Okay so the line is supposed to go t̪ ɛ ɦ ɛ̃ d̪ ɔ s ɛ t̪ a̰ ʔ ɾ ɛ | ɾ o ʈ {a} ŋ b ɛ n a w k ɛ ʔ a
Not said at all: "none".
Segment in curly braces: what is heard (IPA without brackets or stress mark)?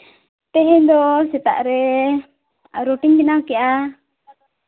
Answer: i